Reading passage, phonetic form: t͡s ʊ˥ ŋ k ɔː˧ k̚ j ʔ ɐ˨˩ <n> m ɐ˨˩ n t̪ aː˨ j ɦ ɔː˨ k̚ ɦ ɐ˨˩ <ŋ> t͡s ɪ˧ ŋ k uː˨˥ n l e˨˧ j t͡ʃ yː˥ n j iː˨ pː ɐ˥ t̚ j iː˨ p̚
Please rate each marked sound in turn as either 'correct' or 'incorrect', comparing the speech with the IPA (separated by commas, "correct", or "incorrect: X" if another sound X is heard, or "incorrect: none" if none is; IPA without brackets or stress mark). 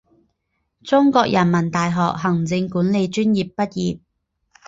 correct, correct